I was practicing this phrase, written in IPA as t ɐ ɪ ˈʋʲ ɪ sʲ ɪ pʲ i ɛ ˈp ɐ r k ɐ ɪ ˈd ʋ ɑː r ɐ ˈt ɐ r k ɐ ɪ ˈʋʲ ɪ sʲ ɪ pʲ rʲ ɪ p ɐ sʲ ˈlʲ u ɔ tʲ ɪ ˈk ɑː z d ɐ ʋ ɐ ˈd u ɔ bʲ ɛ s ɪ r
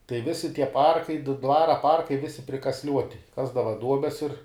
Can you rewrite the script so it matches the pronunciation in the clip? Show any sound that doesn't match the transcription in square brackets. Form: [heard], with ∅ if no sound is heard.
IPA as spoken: t ɐ ɪ ˈʋʲ ɪ sʲ ɪ [tʲ] i ɛ ˈp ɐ r k ɐ ɪ ˈd ʋ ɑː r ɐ [ˈp] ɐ r k ɐ ɪ ˈʋʲ ɪ sʲ ɪ pʲ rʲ ɪ [k] ɐ sʲ ˈlʲ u ɔ tʲ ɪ ˈk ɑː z d ɐ ʋ ɐ ˈd u ɔ bʲ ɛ s ɪ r